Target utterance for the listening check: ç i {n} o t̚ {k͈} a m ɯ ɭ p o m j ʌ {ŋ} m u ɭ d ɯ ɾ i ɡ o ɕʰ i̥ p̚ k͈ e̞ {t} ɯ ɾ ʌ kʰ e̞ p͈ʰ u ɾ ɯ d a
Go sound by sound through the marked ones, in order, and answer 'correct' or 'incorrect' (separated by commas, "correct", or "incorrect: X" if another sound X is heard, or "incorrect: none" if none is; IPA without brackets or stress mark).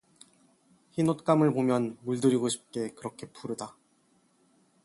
correct, correct, incorrect: n, incorrect: k